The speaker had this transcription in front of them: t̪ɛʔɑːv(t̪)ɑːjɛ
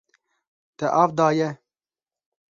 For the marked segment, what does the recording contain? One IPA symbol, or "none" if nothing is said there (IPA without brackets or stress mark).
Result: d̪